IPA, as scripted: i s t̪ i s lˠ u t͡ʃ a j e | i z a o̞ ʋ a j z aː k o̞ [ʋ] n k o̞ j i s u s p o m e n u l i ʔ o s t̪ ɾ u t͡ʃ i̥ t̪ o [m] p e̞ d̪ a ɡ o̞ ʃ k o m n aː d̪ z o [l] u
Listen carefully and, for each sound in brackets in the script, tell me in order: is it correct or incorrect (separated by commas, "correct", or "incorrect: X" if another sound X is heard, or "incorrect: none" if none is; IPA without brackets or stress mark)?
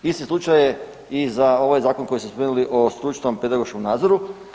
incorrect: none, correct, incorrect: ɾ